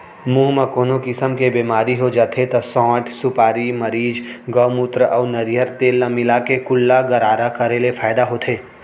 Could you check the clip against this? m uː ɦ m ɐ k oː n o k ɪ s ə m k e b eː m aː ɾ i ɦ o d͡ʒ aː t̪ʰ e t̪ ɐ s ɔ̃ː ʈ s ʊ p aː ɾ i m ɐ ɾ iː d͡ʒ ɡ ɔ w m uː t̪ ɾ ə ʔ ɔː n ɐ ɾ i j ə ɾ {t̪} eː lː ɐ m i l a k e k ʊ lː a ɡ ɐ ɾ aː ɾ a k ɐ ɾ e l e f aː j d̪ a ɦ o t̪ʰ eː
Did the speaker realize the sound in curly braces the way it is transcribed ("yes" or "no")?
yes